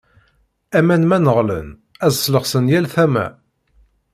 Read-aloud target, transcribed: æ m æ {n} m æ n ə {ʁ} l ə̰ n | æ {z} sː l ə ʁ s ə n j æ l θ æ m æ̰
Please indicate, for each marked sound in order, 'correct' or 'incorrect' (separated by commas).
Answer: correct, correct, correct